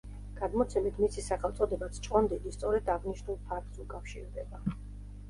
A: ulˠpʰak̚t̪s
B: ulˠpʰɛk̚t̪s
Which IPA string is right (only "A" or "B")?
A